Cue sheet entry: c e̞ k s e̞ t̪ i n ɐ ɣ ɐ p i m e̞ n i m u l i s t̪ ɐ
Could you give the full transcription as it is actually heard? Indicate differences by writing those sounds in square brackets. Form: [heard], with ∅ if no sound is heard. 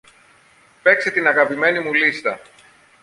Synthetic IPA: [p] e̞ k s e̞ t̪ i n ɐ ɣ ɐ p i m e̞ n i m u l i s t̪ ɐ